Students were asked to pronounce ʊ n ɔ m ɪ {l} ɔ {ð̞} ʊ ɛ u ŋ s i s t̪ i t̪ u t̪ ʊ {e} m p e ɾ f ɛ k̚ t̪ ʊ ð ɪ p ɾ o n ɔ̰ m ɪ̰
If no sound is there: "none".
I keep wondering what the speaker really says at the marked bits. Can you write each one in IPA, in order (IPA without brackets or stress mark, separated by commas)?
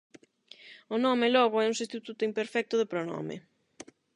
l, ɣ̞, i